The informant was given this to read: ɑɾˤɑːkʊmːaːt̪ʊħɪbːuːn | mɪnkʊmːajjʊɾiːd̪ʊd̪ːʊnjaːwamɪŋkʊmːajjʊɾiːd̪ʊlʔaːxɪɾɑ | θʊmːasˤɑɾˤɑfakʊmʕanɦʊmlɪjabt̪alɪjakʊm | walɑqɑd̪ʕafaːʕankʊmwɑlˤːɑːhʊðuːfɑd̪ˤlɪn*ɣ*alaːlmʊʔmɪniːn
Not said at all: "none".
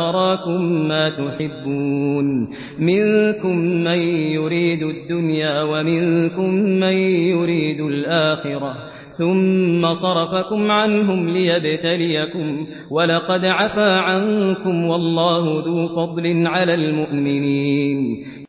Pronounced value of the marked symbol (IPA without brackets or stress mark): ʕ